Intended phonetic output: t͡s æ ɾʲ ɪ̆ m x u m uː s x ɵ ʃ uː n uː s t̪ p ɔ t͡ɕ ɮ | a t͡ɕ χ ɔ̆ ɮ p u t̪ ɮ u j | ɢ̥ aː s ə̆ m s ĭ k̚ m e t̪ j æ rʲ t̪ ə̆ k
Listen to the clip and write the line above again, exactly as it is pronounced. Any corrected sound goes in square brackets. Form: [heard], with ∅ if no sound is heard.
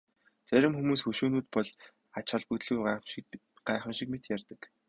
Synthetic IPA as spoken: t͡s æ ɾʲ ɪ̆ m x u m uː s x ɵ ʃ uː n uː [∅] t̪ p ɔ [∅] ɮ | a t͡ɕ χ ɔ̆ ɮ p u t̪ ɮ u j | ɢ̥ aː [χ] ə̆ m [ʃ] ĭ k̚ m e t̪ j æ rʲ t̪ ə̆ k